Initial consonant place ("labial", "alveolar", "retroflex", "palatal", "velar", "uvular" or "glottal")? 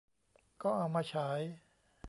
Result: velar